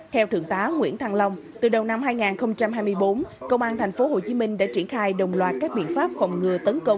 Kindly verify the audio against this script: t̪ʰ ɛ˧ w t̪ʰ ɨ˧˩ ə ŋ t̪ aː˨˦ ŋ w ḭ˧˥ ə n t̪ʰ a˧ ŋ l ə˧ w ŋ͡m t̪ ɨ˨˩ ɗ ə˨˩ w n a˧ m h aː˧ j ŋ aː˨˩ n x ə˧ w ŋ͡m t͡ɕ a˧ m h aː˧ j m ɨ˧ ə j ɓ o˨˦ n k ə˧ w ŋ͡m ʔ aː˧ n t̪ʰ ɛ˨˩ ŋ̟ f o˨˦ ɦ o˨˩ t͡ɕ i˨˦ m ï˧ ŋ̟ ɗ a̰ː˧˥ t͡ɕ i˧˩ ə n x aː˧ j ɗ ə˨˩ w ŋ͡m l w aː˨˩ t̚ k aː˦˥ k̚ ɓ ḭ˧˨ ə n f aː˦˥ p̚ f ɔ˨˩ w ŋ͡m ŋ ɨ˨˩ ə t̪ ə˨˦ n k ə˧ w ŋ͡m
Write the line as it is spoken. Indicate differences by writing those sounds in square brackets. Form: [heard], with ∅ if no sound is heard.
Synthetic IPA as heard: t̪ʰ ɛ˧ w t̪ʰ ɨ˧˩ ə ŋ t̪ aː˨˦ ŋ w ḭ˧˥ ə n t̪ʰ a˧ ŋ l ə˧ w ŋ͡m t̪ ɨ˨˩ ɗ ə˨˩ w n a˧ m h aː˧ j ŋ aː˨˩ n x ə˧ w ŋ͡m t͡ɕ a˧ m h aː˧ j m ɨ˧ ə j ɓ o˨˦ n k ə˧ w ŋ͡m ʔ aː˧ n t̪ʰ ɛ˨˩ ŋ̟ f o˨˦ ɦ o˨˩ t͡ɕ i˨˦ m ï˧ ŋ̟ ɗ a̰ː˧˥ t͡ɕ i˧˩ ə n x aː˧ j ɗ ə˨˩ w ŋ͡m l w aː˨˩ t̚ k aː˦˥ k̚ ɓ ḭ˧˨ ə n f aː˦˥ p̚ f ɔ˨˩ w ŋ͡m ŋ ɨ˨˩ ə t̪ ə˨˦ n k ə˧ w ŋ͡m